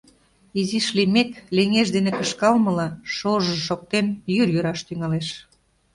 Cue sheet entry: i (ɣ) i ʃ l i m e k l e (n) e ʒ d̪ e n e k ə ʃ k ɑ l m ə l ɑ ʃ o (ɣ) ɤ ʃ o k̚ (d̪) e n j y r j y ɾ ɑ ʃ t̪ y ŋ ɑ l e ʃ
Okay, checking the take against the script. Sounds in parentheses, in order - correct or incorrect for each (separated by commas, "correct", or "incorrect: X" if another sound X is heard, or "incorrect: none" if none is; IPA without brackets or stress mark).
incorrect: z, incorrect: ŋ, incorrect: ʒ, incorrect: t̪